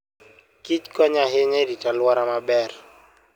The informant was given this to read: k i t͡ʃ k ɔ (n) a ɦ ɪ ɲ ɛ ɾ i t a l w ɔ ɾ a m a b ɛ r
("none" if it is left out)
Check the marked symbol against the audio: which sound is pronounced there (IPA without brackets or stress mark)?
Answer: ɲ